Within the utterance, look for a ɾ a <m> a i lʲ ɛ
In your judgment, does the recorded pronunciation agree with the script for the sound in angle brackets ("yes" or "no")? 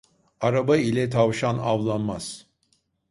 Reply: no